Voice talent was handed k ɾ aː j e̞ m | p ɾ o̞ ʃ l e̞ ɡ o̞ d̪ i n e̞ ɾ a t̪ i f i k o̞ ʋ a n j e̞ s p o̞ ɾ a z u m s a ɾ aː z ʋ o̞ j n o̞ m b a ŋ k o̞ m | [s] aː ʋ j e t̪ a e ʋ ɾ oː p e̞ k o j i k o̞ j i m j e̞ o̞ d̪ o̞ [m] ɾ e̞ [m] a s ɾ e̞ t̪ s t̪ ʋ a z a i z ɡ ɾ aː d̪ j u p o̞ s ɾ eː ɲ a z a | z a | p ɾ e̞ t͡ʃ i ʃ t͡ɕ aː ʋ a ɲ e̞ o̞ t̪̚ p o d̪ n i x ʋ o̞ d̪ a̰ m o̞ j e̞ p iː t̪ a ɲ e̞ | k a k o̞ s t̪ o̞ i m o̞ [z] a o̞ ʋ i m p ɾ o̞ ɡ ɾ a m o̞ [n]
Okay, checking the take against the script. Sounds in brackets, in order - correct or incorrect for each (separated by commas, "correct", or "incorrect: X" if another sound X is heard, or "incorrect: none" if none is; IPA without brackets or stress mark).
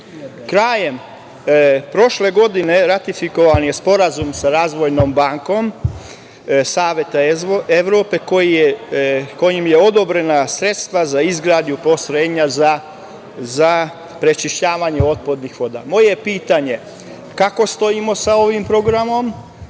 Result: correct, incorrect: b, incorrect: n, incorrect: s, incorrect: m